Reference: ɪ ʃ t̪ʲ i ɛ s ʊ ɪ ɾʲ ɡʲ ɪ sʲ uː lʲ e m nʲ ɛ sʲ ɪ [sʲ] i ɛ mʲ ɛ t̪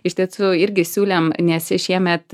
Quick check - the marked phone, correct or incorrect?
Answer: incorrect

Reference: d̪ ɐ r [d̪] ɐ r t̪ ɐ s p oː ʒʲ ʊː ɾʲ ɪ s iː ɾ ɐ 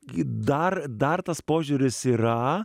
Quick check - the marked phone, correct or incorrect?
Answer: correct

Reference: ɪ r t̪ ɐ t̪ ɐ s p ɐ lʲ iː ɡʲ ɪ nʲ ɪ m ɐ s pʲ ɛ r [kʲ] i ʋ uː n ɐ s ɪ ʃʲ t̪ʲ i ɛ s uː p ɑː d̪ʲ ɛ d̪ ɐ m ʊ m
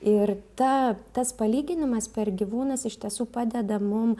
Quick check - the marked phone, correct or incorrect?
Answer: incorrect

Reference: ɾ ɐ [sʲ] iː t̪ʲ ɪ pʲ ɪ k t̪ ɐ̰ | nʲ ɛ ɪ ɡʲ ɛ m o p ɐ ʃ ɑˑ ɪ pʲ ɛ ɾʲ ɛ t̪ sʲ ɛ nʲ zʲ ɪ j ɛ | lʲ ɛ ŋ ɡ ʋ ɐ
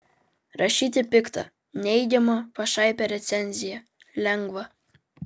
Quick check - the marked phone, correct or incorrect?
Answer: incorrect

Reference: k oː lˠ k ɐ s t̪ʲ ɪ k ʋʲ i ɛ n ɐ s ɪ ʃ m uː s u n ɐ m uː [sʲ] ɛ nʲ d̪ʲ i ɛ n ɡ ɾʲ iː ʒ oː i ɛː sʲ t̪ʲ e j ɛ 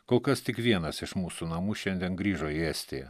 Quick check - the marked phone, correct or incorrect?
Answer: incorrect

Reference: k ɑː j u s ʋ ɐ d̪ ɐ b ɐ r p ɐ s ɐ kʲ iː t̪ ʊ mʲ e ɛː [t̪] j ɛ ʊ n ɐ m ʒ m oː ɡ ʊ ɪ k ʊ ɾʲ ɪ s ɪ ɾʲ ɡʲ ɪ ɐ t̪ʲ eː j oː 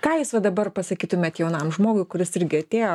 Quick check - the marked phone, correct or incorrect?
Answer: correct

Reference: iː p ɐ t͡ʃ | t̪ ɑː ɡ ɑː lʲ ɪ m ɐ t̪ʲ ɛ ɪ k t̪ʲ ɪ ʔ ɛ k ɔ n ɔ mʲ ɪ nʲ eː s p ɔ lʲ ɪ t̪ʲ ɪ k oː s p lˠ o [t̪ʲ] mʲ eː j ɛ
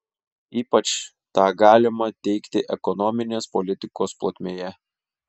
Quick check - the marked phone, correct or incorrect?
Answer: correct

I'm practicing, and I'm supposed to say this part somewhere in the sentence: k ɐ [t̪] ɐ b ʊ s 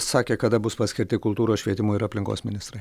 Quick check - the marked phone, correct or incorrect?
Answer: incorrect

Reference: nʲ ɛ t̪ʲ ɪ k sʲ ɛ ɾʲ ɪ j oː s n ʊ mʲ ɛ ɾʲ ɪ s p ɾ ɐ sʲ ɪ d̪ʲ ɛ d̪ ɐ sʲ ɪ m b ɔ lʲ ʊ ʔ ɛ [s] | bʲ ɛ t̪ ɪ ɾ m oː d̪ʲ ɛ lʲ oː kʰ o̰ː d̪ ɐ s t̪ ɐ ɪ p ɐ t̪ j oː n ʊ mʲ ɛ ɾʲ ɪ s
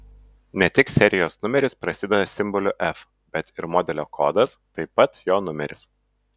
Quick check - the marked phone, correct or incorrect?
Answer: incorrect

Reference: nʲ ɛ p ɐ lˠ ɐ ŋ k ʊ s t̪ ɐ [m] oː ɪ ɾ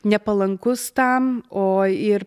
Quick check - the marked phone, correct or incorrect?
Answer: correct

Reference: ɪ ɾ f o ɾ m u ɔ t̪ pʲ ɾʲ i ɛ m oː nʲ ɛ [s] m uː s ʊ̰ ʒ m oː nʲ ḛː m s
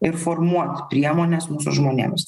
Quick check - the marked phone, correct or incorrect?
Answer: correct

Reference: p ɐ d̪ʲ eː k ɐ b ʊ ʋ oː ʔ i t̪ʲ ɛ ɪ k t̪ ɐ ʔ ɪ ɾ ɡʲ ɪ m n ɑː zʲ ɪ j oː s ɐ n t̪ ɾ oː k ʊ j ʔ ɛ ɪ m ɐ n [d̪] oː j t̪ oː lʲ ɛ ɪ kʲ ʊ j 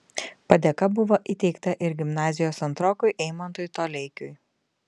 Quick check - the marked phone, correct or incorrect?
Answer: incorrect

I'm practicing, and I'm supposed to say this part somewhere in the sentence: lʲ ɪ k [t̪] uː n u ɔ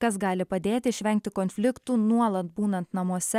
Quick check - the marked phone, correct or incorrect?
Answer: correct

